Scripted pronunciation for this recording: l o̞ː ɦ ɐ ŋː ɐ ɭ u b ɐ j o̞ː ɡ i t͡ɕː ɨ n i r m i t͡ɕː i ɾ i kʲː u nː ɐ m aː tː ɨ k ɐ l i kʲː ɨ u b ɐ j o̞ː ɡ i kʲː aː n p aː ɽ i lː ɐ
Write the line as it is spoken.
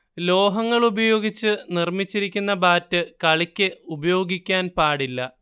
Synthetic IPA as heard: l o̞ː ɦ ɐ ŋː ɐ ɭ u b ɐ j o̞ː ɡ i t͡ɕː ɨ n i r m i t͡ɕː i ɾ i kʲː u nː ɐ b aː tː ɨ k ɐ ɭ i kʲː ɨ u b ɐ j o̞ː ɡ i kʲː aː n p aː ɽ i lː ɐ